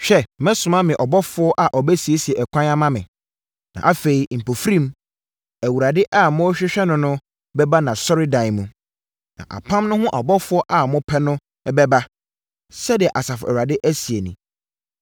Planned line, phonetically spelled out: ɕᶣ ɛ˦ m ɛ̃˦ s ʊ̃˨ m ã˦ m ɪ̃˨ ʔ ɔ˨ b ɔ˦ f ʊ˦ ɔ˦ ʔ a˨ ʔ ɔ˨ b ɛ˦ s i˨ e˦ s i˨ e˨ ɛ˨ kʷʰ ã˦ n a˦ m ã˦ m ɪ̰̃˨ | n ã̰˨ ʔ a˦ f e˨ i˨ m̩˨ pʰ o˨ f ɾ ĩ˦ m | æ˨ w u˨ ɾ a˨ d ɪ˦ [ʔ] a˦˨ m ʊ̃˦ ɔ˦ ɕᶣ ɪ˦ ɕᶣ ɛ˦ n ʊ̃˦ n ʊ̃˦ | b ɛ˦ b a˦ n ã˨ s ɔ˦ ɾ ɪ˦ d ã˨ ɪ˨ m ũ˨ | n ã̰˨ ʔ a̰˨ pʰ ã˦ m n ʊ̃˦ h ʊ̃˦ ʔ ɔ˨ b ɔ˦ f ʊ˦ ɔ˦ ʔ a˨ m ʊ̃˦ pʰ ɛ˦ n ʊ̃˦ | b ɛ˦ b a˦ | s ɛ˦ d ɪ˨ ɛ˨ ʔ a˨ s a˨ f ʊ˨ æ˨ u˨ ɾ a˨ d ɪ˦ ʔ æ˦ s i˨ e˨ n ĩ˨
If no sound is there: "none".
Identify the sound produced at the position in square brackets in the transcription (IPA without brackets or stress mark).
ʔ